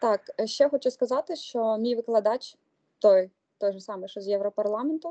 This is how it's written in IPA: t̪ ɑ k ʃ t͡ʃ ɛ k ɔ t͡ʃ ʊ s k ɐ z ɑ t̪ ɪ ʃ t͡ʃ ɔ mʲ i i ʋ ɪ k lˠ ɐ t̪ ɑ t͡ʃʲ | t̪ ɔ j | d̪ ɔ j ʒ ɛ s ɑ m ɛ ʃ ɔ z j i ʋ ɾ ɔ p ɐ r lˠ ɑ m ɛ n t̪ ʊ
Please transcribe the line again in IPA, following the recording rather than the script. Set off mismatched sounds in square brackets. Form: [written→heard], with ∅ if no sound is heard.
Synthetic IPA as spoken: t̪ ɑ k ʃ t͡ʃ ɛ [k→x] ɔ t͡ʃ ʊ s k ɐ z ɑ t̪ ɪ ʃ t͡ʃ ɔ mʲ i [i→j] ʋ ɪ k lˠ ɐ [t̪→d̪] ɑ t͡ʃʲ | t̪ ɔ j | [d̪→t̪] ɔ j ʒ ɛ s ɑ m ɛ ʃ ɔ z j [i→ɛ] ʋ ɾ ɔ p ɐ r lˠ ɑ m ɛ n t̪ ʊ